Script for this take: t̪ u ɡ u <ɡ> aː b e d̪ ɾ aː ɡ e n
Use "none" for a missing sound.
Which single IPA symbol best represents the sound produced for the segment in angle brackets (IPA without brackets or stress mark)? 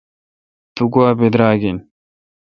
none